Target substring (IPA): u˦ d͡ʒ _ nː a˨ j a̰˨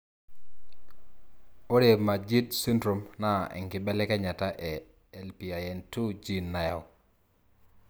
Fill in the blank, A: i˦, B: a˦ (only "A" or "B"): A